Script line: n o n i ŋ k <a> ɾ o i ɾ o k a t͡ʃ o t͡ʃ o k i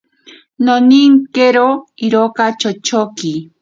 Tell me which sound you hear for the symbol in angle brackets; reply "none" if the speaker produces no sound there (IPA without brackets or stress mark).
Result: e